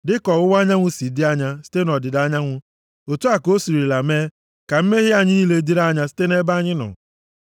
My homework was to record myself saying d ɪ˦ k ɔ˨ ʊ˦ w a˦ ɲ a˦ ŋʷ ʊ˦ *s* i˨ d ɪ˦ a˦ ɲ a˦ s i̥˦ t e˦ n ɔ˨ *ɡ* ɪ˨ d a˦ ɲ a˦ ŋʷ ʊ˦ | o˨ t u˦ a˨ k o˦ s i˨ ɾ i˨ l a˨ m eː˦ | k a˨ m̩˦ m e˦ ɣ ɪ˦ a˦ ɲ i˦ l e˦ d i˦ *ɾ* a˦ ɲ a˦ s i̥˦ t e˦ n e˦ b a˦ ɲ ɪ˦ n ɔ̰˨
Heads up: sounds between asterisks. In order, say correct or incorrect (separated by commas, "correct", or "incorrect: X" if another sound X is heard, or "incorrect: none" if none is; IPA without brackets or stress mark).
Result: correct, incorrect: d, correct